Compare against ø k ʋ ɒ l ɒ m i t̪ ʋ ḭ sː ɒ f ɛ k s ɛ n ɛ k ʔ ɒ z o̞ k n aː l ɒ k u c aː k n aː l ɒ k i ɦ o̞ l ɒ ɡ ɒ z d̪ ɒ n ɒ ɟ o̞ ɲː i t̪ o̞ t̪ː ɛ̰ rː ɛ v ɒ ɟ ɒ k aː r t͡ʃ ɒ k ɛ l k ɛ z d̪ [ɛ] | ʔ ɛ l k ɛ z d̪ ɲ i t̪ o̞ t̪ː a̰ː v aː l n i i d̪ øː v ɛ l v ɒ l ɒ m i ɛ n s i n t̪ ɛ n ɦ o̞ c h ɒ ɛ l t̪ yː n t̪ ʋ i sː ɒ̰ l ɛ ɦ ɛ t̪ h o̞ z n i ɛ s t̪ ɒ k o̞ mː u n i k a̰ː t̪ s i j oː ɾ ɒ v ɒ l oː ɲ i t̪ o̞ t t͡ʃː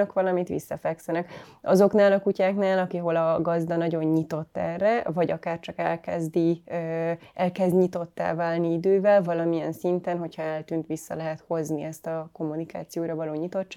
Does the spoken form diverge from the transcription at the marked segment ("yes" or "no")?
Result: yes